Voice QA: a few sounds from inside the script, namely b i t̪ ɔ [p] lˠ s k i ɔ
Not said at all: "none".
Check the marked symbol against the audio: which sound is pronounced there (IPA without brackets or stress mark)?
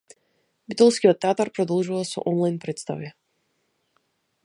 none